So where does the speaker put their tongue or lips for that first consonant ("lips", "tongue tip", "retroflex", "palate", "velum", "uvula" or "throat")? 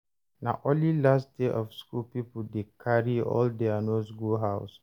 tongue tip